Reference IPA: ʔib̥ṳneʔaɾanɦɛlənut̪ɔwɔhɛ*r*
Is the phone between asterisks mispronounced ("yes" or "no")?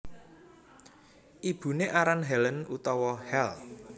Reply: yes